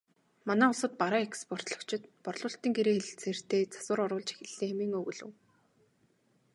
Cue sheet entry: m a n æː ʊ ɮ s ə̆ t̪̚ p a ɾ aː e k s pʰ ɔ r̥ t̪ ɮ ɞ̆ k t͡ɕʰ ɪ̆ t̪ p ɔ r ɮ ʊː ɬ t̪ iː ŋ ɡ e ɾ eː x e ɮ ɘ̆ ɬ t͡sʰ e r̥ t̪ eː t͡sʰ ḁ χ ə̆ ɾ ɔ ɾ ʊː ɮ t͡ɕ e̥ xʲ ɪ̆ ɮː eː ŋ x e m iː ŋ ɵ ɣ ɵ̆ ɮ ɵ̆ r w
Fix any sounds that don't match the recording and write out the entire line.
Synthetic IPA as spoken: m a n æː ʊ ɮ s ə̆ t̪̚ p a ɾ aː e k s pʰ ɔ r̥ t̪ ɮ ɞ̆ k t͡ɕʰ ɪ̆ t̪ p ɔ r ɮ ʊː ɬ t̪ iː ŋ ɡ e ɾ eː x e ɮ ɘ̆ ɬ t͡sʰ e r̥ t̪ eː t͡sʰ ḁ s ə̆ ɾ ɔ ɾ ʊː ɮ t͡ɕ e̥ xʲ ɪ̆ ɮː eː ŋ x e m iː ŋ ɵ ɣ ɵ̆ ɮ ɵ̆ w